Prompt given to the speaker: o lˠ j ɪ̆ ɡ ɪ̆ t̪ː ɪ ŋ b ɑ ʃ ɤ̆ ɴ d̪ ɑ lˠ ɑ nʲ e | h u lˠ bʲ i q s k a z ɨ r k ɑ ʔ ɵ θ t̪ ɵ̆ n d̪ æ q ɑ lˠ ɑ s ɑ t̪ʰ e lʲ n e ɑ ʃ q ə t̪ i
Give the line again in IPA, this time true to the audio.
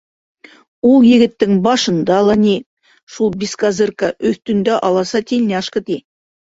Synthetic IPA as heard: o lˠ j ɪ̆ ɡ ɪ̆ t̪ː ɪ ŋ b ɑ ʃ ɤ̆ n d̪ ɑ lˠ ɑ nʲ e | ʃ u lˠ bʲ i s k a z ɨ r k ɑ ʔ ɵ θ t̪ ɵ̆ n d̪ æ ʔ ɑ lˠ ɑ s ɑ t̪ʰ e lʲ n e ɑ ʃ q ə t̪ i